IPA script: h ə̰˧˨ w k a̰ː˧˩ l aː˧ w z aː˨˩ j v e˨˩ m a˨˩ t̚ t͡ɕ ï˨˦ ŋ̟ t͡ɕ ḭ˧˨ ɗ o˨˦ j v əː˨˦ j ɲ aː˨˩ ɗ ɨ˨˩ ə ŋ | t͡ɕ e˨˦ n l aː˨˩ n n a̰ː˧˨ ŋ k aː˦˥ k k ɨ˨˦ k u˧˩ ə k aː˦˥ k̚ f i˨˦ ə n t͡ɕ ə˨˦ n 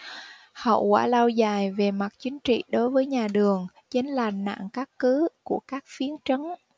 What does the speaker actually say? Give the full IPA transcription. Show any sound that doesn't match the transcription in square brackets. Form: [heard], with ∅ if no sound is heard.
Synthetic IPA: h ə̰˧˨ w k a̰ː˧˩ l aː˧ w z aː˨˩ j v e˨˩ m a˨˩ t̚ t͡ɕ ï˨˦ ŋ̟ t͡ɕ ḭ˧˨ ɗ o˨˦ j v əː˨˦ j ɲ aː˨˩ ɗ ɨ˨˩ ə ŋ | t͡ɕ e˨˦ n l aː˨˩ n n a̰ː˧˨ ŋ k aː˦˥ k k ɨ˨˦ k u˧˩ ə k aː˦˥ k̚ f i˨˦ ə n t͡ɕ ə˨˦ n